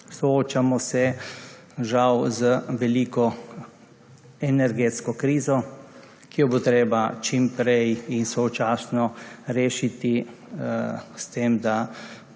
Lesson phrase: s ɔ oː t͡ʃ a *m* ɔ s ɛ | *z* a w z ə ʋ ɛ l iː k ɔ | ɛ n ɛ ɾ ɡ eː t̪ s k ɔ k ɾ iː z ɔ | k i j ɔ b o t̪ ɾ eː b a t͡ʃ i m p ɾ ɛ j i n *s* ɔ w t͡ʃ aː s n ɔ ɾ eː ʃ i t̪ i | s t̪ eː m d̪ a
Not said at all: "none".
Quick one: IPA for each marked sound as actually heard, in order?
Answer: m, ʒ, s

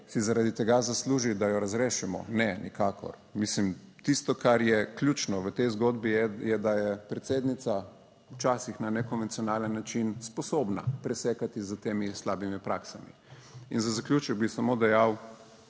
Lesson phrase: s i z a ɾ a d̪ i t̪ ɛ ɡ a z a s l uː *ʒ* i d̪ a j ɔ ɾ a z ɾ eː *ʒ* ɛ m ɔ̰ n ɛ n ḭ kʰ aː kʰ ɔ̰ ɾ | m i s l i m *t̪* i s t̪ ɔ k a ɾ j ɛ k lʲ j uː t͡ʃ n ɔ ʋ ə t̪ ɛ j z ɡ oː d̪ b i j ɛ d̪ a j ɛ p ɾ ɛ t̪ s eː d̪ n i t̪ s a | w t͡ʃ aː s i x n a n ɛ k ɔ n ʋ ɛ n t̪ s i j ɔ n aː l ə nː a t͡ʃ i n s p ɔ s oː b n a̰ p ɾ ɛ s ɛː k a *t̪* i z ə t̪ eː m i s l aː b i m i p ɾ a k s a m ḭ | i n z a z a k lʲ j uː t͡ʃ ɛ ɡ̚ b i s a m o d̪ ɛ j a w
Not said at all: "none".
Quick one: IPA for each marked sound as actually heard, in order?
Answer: ʒ, ʃ, t̪, t̪

